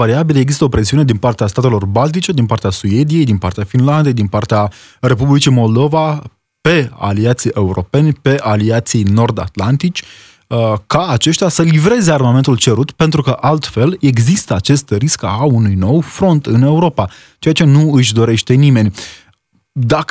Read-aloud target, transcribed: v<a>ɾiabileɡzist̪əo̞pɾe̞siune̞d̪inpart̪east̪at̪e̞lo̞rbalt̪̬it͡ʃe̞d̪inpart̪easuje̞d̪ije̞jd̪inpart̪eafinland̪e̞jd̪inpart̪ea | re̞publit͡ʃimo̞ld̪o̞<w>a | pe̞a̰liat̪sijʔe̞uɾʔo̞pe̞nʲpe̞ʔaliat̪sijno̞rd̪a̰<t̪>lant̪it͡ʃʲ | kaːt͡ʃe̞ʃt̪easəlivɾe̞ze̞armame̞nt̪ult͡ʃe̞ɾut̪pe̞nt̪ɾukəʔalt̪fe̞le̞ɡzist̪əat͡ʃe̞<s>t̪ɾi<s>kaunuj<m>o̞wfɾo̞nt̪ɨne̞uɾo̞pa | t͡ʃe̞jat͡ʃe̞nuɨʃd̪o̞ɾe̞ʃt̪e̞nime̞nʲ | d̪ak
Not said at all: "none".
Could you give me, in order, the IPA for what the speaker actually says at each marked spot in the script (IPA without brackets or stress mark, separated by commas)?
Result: a, v, t̪, s, s, n